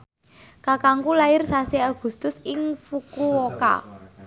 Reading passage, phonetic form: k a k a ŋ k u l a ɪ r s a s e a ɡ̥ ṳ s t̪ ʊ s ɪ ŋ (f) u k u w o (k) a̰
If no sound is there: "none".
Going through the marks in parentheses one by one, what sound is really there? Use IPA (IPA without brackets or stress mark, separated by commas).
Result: f, k